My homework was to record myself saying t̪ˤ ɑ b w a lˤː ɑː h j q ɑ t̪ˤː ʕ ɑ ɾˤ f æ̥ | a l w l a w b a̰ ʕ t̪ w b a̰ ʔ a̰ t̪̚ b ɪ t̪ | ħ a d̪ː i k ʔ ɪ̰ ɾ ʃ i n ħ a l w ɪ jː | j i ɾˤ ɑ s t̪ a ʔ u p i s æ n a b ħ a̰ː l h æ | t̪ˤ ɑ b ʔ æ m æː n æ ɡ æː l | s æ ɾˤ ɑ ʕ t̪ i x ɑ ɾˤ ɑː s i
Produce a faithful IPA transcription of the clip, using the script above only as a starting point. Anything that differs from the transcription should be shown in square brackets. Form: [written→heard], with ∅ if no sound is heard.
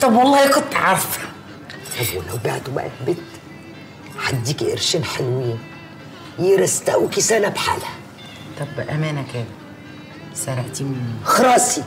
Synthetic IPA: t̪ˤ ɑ b w [a→ɑ] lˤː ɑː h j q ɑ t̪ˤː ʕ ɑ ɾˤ f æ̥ | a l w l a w b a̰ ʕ t̪ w b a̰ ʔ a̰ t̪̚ b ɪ t̪ | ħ a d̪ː i k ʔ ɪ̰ ɾ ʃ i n ħ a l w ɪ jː | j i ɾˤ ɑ s t̪ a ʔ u [p→k] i s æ n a b ħ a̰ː l h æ | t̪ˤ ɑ b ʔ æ m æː n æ [ɡ→k] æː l | s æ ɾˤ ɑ ʕ t̪ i x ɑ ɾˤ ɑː s i